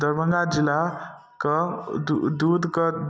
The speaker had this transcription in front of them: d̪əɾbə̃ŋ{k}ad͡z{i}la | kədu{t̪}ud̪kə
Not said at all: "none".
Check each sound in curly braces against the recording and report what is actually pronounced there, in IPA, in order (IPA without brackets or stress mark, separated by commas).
ɡ, i, d̪